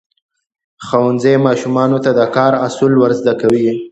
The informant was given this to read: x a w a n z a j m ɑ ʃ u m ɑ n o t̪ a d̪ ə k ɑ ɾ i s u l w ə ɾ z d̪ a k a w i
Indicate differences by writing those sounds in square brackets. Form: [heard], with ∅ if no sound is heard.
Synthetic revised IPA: x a w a n z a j m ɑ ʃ u m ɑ n o t̪ a d̪ ə k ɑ ɾ [a] s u l w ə ɾ z d̪ a k a w i